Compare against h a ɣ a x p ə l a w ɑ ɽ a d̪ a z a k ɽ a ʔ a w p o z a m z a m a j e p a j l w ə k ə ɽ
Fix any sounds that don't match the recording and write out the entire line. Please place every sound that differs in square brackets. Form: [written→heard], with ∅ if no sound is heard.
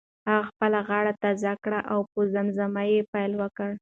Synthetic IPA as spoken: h a ɣ a x p ə l a [w→ɣ] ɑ ɽ a [d̪→t̪] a z a k ɽ a ʔ a w p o z a m z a m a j e p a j l w ə k ə ɽ